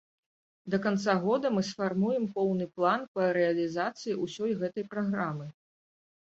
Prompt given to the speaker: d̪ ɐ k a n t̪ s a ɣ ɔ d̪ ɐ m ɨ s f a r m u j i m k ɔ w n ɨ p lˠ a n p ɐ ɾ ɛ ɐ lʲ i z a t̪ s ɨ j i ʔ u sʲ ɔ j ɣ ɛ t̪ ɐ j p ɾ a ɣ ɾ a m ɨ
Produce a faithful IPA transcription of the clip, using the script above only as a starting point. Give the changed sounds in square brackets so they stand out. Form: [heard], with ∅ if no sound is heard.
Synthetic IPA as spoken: d̪ ɐ k a n t̪ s a ɣ ɔ d̪ ɐ m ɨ s f a r m u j [ɛ] m [p] ɔ w n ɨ p lˠ a n p ɐ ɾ ɛ ɐ lʲ i z a t̪ s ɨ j i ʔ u sʲ ɔ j ɣ ɛ t̪ ɐ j p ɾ a ɣ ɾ a m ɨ